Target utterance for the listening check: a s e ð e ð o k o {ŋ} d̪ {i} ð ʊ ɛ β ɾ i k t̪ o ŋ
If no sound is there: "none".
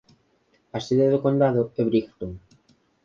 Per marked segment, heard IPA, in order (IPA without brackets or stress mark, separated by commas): n, a